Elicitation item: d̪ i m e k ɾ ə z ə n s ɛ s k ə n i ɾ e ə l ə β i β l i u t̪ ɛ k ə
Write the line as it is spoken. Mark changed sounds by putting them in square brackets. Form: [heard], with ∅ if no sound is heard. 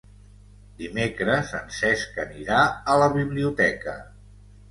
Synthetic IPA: d̪ i m e k ɾ ə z ə n s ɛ s k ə n i ɾ [a] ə l ə β i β l i u t̪ ɛ k ə